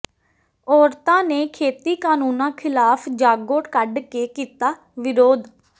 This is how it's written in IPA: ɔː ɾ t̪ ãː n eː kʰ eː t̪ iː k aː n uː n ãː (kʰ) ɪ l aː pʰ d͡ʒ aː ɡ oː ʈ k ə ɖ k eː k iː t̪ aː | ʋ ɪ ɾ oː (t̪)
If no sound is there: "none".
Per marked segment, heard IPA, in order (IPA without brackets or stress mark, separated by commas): kʰ, d̪